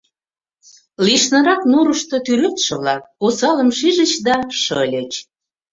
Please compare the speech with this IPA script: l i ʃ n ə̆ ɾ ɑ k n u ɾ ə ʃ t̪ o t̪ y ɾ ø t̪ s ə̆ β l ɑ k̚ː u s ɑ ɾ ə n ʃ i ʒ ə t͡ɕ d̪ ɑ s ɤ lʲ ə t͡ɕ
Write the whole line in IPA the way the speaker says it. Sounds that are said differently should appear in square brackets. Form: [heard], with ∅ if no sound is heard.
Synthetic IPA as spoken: l i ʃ n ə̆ ɾ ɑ k n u ɾ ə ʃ t̪ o t̪ y ɾ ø t̪ [ʃ] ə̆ β l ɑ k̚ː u s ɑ [l] ə [m] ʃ i ʒ ə t͡ɕ d̪ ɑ [ʃ] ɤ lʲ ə t͡ɕ